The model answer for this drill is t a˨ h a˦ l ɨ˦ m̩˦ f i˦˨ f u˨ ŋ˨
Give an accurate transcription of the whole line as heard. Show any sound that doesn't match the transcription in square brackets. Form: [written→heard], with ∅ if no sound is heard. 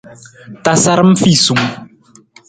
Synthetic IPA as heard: t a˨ [h→s] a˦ [l→ɾ] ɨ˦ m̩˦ f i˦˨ [f→s] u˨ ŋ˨